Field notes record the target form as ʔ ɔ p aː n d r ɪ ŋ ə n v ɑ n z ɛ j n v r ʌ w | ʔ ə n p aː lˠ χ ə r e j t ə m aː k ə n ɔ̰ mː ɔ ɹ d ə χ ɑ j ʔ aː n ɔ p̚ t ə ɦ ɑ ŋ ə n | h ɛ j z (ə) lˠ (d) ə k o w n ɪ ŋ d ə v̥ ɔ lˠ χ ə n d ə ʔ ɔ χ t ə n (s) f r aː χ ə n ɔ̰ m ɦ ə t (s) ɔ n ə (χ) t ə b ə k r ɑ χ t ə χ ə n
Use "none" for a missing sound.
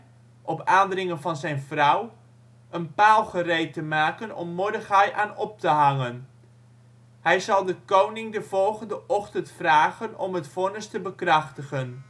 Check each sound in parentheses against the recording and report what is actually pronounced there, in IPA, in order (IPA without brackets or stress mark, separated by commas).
ɑ, d, t, f, s